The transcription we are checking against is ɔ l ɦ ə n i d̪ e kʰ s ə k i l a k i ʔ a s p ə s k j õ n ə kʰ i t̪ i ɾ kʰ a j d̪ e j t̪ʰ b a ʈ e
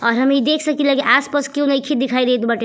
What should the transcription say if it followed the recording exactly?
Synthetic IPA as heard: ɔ ɾ ɦ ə m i d̪ e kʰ s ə k i l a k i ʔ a s p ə s k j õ n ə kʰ i d̪ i kʰ a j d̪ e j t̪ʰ b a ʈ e